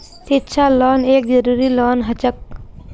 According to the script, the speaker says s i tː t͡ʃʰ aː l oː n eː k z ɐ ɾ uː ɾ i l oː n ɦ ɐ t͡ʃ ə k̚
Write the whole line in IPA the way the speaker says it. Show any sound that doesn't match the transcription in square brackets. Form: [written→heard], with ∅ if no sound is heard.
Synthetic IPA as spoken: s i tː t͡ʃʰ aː l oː n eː k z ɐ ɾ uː ɾ i l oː n ɦ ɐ t͡ʃ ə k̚